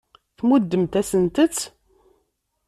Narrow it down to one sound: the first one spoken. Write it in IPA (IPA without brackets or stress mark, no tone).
θ